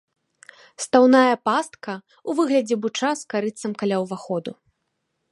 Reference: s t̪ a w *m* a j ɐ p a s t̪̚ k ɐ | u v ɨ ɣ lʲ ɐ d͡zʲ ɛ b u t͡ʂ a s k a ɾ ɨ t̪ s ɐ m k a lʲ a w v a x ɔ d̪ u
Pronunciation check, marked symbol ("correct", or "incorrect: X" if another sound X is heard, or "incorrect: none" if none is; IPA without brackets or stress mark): incorrect: n